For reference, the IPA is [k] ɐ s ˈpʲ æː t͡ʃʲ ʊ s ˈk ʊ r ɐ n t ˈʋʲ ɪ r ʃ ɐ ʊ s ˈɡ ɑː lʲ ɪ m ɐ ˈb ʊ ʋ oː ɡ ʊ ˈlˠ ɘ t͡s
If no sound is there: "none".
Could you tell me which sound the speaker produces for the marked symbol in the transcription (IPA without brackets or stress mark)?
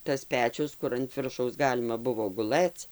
t